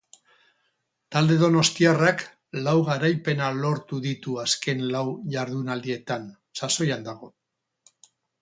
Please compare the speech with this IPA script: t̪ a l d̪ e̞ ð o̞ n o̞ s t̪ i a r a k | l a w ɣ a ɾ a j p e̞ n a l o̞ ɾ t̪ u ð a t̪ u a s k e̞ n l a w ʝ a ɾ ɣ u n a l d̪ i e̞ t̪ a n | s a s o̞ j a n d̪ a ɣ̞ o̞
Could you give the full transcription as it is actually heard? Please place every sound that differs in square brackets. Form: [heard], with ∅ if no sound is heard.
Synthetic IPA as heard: t̪ a l d̪ e̞ ð o̞ n o̞ s t̪ i a r a k | l a w ɣ a ɾ a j p e̞ n a l o̞ ɾ t̪ u ð [i] t̪ u a s k e̞ n l a w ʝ a ɾ [ð] u n a l d̪ i e̞ t̪ a n | s a s o̞ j a n d̪ a ɣ̞ o̞